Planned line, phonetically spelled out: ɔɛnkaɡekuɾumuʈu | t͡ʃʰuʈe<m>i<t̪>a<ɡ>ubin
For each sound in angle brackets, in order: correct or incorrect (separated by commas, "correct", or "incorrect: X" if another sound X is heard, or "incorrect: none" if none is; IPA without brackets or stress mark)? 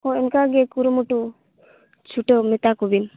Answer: correct, correct, incorrect: k